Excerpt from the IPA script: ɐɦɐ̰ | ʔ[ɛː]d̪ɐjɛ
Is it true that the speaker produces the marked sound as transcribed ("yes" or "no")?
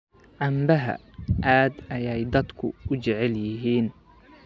no